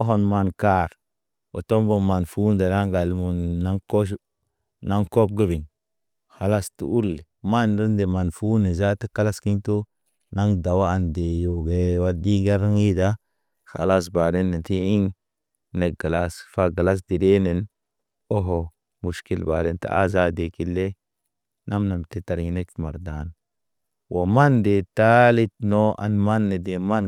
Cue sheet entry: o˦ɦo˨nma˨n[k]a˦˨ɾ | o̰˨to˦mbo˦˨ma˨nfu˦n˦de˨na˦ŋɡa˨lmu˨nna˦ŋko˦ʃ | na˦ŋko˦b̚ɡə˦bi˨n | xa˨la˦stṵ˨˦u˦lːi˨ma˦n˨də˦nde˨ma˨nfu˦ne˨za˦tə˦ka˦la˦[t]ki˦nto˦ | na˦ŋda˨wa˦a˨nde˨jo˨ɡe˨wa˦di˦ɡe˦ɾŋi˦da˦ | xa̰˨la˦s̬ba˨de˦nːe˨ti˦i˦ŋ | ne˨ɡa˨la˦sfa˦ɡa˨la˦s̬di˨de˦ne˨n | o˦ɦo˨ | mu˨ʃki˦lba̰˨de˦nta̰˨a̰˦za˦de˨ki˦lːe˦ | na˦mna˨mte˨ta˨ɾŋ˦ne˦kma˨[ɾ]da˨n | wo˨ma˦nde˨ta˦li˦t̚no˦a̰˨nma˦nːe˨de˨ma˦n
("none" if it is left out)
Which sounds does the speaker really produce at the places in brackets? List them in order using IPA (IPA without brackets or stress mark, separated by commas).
k, s, ɾ